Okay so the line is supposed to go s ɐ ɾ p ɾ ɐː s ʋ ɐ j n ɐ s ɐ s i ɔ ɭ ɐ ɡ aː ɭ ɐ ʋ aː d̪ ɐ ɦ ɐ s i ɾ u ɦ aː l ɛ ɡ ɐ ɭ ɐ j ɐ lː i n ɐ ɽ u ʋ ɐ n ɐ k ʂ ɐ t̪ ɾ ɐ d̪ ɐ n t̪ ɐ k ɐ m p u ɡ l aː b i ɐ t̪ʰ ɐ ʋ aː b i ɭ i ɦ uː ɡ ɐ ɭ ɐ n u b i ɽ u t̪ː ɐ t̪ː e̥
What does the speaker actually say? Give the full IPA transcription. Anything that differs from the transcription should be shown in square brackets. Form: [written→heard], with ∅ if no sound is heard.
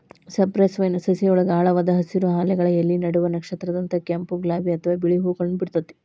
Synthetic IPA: s ɐ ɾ p ɾ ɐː s ʋ ɐ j n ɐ s ɐ s i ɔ ɭ ɐ ɡ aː ɭ ɐ ʋ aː d̪ ɐ ɦ ɐ s i ɾ u ɦ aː l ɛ ɡ ɐ ɭ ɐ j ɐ lː i n ɐ ɽ u ʋ ɐ n ɐ k ʂ ɐ t̪ ɾ ɐ d̪ ɐ n t̪ ɐ k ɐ m p u ɡ l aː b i ɐ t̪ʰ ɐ ʋ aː b i ɭ i ɦ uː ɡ ɐ ɭ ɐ n u b i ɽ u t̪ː ɐ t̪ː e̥